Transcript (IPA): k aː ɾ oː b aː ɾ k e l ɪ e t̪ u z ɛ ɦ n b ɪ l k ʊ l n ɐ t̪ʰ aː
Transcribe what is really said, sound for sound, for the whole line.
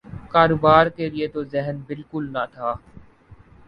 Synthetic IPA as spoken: k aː ɾ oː b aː ɾ k e l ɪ e t̪ o z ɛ ɦ n b ɪ l k ʊ l n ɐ t̪ʰ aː